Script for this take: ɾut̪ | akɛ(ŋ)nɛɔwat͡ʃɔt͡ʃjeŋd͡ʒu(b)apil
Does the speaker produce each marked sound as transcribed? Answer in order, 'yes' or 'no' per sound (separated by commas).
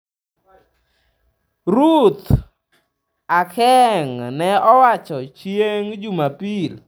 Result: yes, no